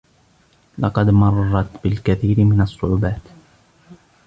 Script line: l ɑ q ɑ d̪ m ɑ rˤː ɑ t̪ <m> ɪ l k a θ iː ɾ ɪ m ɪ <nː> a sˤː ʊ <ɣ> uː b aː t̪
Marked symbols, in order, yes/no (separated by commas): no, no, no